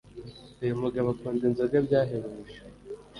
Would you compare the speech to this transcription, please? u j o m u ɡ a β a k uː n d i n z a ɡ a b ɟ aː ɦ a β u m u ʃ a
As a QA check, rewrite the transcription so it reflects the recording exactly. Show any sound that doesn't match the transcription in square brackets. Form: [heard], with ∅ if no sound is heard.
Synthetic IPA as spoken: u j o m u ɡ a β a k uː n d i n z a ɡ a b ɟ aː ɦ [e] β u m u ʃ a